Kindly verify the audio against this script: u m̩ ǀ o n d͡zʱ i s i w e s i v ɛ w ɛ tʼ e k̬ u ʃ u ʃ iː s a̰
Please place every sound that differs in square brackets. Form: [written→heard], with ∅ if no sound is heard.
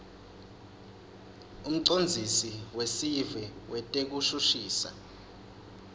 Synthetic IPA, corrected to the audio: u m̩ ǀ o n d͡zʱ i s i w e s i v ɛ w ɛ tʼ e k̬ u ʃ u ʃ iː s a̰